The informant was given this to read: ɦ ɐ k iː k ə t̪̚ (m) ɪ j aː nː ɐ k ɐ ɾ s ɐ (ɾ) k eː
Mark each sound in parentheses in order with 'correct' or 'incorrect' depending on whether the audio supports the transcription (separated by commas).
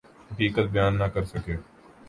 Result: incorrect, incorrect